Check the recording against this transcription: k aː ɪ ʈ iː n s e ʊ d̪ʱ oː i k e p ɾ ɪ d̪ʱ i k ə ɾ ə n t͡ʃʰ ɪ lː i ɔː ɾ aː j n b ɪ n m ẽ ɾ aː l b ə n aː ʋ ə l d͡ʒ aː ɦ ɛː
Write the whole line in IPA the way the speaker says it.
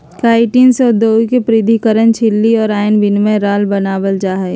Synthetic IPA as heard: k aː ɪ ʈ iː n s e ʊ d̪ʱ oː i k e p ɾ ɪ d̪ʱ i k ə ɾ ə n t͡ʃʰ ɪ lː i ɔː ɾ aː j n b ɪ n m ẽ ɾ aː l b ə n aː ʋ ə l d͡ʒ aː ɦ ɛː

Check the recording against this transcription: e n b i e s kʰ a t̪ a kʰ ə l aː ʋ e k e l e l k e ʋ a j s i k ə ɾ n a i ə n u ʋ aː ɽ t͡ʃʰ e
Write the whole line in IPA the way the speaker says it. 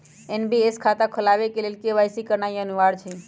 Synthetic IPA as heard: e n b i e s kʰ a t̪ a kʰ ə l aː ʋ e k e l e l k e ʋ a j s i k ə ɾ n a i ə n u ʋ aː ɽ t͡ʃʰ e

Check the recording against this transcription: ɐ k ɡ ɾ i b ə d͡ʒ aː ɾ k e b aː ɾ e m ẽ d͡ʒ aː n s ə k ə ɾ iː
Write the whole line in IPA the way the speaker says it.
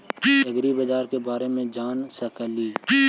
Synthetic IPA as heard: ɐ ɡ ɾ i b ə d͡ʒ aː ɾ k e b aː ɾ e m ẽ d͡ʒ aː n s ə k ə l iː

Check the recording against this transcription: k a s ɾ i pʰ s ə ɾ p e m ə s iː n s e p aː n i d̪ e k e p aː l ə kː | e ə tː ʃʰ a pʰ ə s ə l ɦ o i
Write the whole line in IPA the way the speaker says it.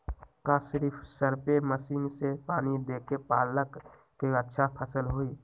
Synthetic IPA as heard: k a s ɾ i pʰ s ə ɾ p e m ə s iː n s e p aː n i d̪ e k e p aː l ə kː | e ə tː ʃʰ a pʰ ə s ə l ɦ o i

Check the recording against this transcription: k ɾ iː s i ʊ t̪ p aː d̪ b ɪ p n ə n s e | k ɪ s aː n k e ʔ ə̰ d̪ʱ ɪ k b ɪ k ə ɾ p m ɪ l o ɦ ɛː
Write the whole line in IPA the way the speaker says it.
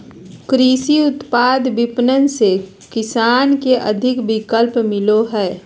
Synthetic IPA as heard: k ɾ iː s i ʊ t̪ p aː d̪ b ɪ p n ə n s e | k ɪ s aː n k e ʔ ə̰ d̪ʱ ɪ k b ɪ k ə l p m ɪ l o ɦ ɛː

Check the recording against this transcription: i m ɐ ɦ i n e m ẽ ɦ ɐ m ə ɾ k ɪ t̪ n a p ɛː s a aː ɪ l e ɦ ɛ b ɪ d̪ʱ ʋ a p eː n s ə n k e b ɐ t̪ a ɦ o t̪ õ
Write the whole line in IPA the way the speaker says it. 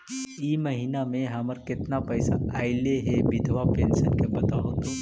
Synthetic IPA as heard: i m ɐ ɦ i n a m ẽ ɦ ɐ m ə ɾ k ɪ t̪ n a p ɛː s a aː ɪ l e ɦ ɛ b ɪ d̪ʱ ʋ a p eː n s ə n k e b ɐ t̪ a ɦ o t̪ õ

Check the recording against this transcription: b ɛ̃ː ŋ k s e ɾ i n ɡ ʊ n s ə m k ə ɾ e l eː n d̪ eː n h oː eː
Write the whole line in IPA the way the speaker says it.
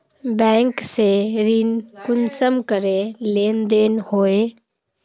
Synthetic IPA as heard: b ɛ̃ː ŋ k s e ɾ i n k ʊ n s ə m k ə ɾ e l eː n d̪ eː n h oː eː

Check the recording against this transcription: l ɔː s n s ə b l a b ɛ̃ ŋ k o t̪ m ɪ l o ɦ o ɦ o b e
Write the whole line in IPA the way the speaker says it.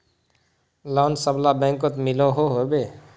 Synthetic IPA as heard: l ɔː n s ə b l a b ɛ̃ ŋ k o t̪ m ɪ l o ɦ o ɦ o b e

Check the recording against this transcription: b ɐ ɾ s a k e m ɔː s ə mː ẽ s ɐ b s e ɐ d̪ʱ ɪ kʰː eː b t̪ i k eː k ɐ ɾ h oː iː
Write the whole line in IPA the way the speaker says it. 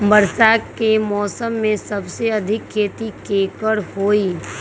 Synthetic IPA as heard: b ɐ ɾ s a k e m ɔː s ə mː ẽ s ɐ b s e ɐ d̪ʱ ɪ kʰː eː t̪ i k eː k ə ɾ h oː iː

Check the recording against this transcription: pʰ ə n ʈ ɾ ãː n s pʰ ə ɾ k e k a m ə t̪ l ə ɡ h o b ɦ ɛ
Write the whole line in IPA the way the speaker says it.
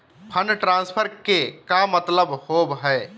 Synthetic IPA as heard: pʰ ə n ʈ ɾ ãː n s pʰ ə ɾ k e k a m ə t̪ l ə b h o b ɦ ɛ

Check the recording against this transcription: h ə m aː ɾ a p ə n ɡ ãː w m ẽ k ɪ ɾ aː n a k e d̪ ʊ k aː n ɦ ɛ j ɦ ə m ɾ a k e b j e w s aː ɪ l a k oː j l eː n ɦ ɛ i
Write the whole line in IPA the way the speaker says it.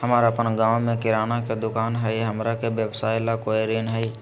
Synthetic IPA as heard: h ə m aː ɾ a p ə n ɡ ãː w m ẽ k ɪ ɾ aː n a k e d̪ ʊ k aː n ɦ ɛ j ɦ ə m ɾ a k e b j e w s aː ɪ l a k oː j ɾ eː n ɦ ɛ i

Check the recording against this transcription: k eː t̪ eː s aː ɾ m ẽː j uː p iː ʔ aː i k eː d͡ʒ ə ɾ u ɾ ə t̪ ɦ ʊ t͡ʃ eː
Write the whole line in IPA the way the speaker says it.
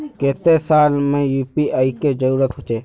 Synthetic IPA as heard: k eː t̪ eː s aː l m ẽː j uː p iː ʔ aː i k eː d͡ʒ ə ɾ uː ɾ ə t̪ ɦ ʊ t͡ʃ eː

